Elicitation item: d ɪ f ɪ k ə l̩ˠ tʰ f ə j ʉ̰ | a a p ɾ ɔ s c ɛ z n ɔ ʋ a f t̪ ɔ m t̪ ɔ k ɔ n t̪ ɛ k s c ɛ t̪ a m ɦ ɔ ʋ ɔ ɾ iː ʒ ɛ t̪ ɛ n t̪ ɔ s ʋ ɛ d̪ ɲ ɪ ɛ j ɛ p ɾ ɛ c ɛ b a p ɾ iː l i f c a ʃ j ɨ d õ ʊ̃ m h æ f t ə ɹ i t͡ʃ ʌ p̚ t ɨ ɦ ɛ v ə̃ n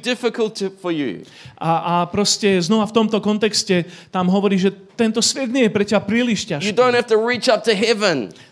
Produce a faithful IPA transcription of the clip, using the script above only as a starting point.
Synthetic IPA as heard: d ɪ f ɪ k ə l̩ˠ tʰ f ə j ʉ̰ | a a p ɾ ɔ s c ɛ z n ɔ ʋ a f t̪ ɔ m t̪ ɔ k ɔ n t̪ ɛ k s c ɛ t̪ a m ɦ ɔ ʋ ɔ ɾ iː ʒ ɛ t̪ ɛ n t̪ ɔ s ʋ ɛ d̪ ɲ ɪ ɛ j ɛ p ɾ ɛ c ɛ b a p ɾ iː l i ʃ c a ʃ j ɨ d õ ʊ̃ n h æ f t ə ɹ i t͡ʃ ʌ p̚ t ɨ ɦ ɛ v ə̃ n